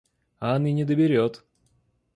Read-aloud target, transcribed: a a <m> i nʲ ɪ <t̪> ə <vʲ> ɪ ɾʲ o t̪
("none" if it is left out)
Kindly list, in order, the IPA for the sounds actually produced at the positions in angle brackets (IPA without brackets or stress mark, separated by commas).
n, d̪, bʲ